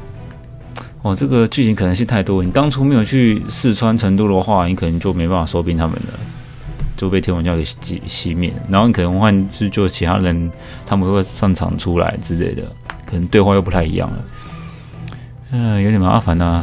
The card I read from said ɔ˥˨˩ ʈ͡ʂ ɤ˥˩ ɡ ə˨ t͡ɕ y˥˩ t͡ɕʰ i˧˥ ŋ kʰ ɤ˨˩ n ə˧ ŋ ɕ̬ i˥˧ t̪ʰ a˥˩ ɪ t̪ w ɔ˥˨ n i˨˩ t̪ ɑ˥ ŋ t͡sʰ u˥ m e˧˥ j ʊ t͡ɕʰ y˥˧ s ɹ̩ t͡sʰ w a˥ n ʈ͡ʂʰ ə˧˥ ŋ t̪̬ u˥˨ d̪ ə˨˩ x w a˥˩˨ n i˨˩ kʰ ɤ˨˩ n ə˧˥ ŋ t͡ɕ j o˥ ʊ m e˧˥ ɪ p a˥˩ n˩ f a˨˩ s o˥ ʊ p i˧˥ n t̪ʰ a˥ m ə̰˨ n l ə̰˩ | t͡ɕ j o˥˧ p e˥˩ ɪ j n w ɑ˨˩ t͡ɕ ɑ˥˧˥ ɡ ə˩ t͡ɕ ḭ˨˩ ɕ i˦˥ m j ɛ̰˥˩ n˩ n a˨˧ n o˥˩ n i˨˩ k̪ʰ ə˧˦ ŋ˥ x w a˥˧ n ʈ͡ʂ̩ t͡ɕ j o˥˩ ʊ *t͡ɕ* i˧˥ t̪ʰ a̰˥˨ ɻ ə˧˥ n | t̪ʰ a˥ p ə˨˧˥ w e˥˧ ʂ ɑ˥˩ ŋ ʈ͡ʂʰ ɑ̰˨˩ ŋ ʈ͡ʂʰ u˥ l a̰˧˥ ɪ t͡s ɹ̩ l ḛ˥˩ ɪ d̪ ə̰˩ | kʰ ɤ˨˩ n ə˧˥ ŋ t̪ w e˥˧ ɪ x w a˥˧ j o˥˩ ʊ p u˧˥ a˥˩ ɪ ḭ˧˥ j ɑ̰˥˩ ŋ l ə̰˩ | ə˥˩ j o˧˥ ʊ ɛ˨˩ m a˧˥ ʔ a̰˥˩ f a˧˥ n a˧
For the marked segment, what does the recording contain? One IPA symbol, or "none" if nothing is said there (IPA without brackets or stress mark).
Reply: t͡ɕʰ